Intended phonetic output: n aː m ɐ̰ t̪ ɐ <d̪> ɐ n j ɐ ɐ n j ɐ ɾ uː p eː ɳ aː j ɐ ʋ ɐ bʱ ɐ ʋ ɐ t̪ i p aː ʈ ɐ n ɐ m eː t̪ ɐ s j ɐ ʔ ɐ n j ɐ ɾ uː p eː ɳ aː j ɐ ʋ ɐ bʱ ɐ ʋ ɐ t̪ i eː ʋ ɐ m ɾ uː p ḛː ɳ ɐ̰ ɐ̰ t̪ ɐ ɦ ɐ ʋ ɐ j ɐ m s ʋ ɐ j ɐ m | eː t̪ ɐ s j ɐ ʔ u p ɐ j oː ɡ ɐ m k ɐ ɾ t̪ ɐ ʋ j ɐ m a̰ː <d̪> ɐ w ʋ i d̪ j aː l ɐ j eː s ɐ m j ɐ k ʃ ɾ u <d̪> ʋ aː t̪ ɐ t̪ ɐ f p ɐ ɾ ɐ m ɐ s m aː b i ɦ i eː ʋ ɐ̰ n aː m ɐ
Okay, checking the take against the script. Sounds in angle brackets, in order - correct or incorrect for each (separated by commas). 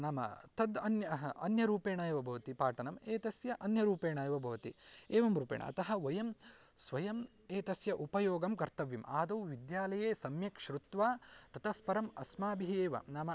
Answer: correct, correct, incorrect